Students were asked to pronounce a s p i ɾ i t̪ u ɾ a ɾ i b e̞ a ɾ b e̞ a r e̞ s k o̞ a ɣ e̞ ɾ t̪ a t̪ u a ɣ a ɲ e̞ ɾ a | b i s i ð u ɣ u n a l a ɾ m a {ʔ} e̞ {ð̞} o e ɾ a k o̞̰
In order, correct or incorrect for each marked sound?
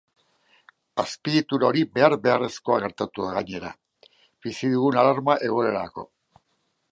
correct, incorrect

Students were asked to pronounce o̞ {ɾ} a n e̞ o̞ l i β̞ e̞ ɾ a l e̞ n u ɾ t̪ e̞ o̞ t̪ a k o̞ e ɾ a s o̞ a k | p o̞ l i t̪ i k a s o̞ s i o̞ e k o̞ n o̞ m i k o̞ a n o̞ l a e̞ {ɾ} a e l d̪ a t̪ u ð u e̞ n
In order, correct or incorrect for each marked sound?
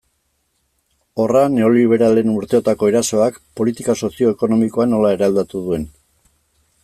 incorrect, correct

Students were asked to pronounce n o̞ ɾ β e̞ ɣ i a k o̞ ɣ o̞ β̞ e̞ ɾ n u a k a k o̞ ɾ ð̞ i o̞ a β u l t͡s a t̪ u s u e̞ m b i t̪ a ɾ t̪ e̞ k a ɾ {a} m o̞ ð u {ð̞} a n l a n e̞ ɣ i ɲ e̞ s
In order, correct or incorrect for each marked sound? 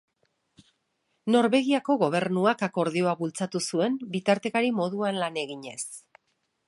incorrect, incorrect

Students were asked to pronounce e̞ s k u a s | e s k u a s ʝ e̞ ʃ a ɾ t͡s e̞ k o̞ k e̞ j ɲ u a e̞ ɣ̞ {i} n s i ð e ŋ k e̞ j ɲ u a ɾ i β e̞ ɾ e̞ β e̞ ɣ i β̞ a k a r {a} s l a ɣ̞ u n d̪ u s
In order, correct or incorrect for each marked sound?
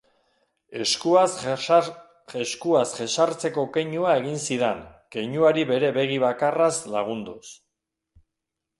correct, correct

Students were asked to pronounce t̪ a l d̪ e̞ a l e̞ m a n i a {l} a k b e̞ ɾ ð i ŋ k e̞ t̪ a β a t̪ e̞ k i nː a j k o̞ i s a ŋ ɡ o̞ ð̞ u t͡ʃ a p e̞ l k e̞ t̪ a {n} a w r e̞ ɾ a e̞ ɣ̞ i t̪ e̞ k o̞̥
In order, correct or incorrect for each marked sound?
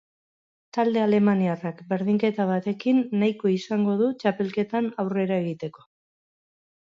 incorrect, correct

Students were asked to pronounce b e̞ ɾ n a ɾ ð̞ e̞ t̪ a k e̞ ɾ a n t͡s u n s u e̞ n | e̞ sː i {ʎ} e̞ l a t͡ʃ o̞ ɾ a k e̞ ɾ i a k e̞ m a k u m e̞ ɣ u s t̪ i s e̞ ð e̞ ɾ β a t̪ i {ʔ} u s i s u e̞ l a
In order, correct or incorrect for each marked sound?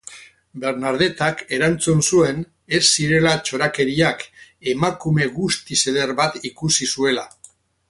incorrect, incorrect

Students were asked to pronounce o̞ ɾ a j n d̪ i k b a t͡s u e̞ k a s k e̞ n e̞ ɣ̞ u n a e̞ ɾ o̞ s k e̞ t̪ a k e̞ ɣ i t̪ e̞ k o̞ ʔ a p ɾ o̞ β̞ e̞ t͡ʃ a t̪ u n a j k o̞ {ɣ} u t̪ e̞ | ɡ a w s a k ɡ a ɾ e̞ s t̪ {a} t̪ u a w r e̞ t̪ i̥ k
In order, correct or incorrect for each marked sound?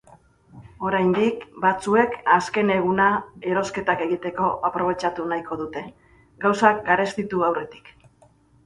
incorrect, incorrect

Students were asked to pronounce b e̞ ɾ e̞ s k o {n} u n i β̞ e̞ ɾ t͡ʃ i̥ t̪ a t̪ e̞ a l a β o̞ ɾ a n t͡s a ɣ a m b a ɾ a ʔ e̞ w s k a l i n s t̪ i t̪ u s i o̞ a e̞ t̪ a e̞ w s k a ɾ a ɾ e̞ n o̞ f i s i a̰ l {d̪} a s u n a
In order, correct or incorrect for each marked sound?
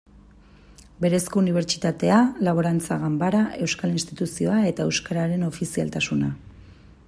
incorrect, incorrect

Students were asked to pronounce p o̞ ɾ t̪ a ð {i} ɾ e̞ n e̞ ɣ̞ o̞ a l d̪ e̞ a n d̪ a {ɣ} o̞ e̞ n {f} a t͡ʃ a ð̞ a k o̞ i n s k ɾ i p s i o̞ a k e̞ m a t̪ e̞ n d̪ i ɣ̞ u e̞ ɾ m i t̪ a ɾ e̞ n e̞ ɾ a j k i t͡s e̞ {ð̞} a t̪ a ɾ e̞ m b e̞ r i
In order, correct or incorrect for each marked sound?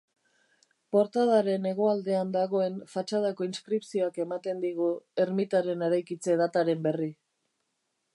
incorrect, correct, correct, correct

